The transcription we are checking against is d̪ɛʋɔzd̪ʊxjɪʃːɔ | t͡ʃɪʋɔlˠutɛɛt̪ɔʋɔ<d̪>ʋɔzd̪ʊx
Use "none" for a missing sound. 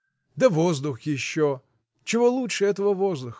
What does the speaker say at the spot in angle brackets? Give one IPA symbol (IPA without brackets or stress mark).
none